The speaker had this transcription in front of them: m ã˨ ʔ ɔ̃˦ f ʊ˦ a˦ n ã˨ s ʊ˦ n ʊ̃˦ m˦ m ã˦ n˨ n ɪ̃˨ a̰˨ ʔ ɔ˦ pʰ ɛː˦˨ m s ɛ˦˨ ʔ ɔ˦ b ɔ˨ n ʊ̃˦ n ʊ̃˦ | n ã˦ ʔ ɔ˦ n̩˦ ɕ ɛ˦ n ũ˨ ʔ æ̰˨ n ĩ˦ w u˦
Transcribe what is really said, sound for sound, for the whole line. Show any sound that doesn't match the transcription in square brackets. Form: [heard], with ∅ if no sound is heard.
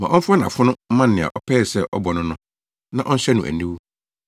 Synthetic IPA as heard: m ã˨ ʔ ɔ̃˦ f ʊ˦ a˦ n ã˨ [f] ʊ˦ n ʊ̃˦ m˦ m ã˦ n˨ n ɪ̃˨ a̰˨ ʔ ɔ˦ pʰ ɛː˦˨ [∅] s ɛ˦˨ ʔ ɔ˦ b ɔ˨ n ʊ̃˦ n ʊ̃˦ | n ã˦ ʔ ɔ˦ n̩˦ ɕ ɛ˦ n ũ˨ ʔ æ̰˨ n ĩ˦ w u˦